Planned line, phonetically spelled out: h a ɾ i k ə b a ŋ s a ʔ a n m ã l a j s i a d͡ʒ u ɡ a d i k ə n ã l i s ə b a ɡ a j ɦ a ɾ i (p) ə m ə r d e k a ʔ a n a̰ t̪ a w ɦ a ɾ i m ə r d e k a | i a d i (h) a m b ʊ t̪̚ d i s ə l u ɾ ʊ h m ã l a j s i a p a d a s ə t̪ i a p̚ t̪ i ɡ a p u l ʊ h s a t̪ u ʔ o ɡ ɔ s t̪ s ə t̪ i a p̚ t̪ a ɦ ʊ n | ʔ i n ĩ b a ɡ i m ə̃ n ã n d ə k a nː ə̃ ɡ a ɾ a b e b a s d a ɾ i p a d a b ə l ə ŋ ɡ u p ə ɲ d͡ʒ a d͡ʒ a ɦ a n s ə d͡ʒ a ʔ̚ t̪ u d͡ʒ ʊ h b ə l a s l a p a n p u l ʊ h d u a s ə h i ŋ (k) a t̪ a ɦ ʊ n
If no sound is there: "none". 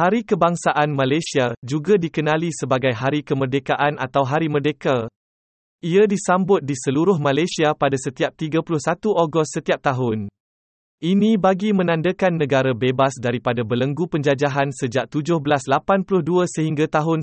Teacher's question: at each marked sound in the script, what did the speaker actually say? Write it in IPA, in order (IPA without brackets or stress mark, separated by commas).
k, s, ɡ